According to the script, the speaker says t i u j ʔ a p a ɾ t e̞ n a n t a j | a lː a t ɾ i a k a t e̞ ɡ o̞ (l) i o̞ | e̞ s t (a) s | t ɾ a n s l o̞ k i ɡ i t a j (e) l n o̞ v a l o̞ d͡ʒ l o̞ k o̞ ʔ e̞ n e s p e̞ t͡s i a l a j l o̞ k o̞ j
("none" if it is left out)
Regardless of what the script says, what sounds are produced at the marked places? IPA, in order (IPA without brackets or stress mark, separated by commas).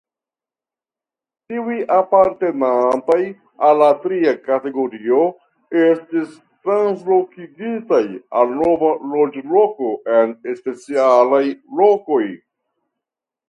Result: ɾ, i, a